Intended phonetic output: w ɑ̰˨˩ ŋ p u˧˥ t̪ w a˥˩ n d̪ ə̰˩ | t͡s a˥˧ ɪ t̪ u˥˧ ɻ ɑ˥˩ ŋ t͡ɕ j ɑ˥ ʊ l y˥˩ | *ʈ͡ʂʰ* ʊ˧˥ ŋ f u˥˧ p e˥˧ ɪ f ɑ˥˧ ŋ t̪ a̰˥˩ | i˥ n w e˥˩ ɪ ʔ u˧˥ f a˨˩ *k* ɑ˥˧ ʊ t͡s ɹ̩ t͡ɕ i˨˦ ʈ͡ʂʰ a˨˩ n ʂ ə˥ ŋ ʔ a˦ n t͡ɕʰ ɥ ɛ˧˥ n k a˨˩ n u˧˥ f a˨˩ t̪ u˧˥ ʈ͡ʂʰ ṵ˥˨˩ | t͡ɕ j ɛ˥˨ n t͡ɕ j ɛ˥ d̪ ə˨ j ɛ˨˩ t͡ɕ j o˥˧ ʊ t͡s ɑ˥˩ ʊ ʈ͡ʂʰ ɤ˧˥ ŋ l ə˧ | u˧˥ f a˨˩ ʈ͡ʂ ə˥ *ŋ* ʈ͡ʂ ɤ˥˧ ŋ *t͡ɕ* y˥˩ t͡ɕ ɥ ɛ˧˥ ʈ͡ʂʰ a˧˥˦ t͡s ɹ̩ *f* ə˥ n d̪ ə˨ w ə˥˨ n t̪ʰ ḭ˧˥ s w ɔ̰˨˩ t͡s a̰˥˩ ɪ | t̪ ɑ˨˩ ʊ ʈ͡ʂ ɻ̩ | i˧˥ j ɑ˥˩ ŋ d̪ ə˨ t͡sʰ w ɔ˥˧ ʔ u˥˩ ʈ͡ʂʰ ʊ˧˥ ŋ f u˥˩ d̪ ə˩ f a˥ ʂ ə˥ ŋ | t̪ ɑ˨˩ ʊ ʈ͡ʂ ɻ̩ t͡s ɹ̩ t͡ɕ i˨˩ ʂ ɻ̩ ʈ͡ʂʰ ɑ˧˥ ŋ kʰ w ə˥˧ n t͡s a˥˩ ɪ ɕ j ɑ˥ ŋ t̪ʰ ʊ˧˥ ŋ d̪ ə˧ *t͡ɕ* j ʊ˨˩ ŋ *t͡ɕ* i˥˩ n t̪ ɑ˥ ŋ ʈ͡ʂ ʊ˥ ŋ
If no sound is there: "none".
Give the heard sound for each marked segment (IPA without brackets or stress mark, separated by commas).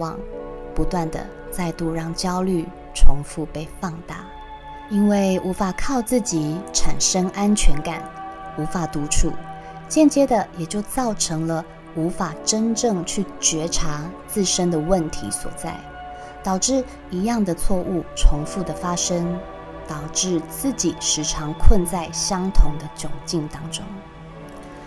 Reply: ʈ͡ʂʰ, kʰ, n, t͡ɕʰ, ʂ, t͡ɕ, t͡ɕ